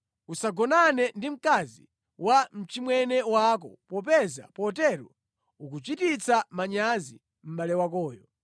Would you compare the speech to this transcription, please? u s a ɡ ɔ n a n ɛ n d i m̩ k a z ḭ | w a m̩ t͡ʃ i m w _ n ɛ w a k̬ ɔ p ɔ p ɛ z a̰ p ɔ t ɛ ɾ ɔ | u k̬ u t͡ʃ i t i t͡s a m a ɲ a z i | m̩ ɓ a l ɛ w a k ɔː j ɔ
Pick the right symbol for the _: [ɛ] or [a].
ɛ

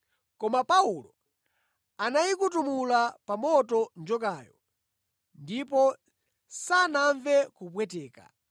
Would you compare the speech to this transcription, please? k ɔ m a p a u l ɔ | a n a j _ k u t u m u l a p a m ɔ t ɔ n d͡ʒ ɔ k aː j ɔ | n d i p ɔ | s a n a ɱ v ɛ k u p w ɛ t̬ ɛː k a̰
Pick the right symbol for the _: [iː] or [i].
i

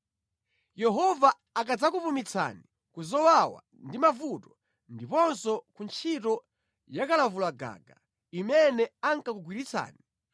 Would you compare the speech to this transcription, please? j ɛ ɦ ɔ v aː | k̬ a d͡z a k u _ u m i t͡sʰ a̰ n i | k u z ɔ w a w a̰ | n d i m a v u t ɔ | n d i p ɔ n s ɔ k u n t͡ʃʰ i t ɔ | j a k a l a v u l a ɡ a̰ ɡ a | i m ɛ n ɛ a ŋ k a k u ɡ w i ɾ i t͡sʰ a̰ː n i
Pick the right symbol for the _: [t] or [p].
p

